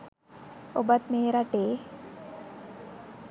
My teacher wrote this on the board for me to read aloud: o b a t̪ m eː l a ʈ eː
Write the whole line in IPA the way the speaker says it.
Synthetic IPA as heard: o b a t̪ m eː ɾ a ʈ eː